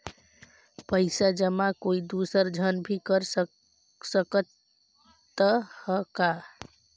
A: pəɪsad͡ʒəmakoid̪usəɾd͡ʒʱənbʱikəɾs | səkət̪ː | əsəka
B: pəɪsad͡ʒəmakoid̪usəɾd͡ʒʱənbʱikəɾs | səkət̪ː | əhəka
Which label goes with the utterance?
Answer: B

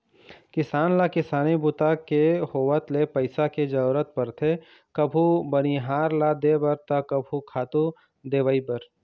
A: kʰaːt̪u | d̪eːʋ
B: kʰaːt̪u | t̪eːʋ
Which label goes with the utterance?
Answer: A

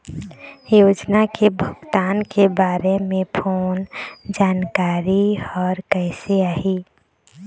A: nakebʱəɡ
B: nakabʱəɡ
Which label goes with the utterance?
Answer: A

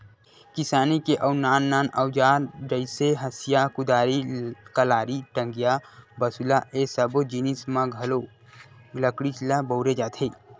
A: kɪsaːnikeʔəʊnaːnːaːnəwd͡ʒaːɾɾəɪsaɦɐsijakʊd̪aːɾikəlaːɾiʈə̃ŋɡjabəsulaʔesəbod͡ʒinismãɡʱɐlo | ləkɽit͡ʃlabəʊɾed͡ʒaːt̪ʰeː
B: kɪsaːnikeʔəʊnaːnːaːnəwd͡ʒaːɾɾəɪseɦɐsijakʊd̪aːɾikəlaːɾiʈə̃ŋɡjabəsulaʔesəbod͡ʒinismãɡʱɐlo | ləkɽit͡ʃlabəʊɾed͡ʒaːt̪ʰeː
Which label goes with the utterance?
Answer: B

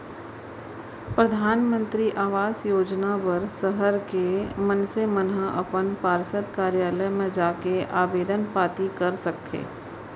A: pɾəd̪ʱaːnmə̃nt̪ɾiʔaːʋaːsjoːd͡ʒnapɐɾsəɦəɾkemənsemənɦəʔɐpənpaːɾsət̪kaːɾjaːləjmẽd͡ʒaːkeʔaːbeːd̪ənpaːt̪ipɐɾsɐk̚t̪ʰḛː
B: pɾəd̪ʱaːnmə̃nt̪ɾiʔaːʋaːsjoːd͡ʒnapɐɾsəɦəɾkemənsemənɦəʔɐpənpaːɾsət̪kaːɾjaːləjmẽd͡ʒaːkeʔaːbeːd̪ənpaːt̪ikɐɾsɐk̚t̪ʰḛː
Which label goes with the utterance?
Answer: B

